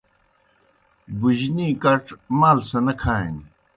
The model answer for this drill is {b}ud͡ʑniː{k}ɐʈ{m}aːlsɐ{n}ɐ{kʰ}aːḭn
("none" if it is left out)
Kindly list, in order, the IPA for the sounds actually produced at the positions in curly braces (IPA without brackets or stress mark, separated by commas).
b, k, m, n, kʰ